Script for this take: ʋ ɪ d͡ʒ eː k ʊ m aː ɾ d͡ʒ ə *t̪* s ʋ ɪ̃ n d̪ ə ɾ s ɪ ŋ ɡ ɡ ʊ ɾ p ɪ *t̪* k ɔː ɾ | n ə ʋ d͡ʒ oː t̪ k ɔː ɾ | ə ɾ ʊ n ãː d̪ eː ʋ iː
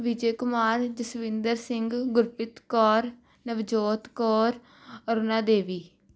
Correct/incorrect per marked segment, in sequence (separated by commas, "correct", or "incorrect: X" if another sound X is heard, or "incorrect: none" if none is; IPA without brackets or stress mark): incorrect: none, correct